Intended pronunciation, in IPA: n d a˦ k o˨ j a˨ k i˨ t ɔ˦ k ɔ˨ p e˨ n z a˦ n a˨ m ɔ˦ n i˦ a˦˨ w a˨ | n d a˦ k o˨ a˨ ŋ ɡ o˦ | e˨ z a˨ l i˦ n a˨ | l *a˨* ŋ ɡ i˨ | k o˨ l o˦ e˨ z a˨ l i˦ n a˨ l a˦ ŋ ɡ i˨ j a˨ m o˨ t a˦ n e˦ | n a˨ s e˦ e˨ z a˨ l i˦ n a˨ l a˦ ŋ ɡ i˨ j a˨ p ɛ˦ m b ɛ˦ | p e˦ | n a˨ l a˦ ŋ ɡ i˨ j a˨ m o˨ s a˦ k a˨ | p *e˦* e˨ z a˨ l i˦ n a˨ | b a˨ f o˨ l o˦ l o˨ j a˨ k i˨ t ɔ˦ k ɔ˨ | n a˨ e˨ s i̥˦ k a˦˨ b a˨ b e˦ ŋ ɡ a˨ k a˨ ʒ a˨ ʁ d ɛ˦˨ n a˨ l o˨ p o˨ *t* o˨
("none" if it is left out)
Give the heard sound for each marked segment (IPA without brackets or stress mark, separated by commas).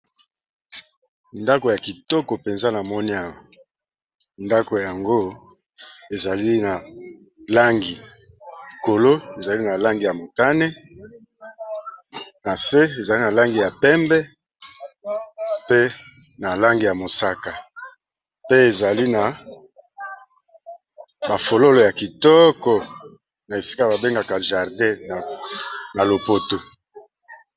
a˦, e˦, t